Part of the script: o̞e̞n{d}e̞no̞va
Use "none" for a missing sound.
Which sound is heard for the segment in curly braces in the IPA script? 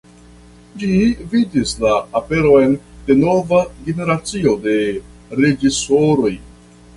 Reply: d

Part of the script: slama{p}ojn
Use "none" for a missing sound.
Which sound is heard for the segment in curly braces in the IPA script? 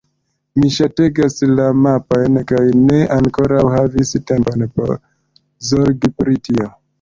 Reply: p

